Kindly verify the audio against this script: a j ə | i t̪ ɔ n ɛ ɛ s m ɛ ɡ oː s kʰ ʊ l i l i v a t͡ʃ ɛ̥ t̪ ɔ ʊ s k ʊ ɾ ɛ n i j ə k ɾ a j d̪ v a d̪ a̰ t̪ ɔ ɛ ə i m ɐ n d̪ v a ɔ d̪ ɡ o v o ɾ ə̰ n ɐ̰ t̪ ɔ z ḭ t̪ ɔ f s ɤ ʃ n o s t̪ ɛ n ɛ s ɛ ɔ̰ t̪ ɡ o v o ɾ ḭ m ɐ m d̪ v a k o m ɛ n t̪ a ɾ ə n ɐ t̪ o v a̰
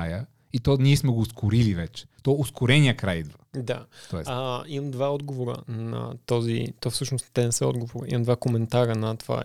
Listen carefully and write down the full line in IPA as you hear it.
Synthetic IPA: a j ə | i t̪ ɔ n i ɛ s m ɛ ɡ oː s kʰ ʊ ɾ i l i v ɛ t͡ʃ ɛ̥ t̪ ɔ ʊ s k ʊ ɾ ɛ n i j ə k ɾ a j d̪ v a d̪ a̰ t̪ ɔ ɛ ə i m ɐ m d̪ v a ɔ d̪ ɡ o v o ɾ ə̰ n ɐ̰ t̪ ɔ z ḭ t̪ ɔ f s ɤ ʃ n o s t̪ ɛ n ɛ s ɛ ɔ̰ d̪ ɡ o v o ɾ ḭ m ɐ m d̪ v a k o m ɛ n t̪ a ɾ ə n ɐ t̪ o v a̰